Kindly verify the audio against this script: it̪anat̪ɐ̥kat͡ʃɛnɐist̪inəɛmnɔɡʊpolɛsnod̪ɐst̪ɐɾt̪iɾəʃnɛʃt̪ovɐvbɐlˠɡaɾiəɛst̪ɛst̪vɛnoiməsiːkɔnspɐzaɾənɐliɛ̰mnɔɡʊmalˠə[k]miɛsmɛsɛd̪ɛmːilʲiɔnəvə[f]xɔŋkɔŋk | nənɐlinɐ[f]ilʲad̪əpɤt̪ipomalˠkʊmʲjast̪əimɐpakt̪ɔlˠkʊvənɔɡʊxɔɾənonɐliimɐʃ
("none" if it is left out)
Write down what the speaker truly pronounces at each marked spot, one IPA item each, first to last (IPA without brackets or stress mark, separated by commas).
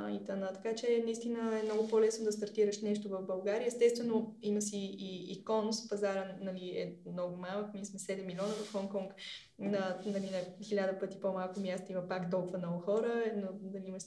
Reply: k, f, x